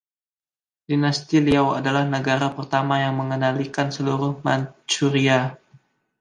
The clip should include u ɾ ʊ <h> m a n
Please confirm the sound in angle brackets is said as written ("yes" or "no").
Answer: yes